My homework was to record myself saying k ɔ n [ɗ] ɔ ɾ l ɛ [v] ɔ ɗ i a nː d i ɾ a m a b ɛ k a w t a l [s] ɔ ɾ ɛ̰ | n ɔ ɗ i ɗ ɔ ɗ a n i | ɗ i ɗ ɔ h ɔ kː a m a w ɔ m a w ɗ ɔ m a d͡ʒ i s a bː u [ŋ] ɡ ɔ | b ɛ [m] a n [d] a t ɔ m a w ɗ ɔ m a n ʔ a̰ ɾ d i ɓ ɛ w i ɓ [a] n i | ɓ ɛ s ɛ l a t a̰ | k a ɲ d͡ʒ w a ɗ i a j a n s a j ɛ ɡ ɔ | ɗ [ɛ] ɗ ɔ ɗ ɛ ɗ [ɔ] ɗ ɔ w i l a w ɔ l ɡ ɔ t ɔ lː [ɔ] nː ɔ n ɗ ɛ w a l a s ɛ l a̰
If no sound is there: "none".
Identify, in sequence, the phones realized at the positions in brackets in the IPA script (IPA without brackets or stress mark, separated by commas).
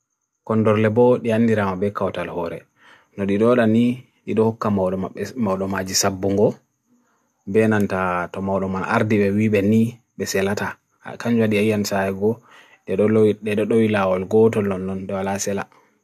d, b, h, ŋ, n, t, ɛ, ɛ, ɔ, ɔ